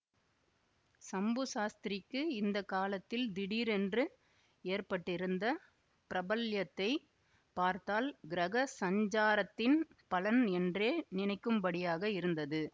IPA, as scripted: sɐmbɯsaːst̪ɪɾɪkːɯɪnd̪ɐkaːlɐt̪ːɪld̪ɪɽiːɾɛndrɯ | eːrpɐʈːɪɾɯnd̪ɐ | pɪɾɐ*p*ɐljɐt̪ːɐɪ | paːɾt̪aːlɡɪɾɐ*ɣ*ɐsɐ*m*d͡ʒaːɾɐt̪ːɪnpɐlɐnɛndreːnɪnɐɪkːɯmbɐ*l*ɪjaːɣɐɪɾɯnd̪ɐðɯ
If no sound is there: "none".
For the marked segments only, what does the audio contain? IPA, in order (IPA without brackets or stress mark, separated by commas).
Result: b, ɣ, ɲ, ɽ